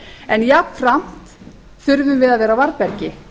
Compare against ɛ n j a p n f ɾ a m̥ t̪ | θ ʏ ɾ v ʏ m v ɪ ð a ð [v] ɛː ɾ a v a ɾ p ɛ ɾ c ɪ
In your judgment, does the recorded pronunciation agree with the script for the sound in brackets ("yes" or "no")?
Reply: yes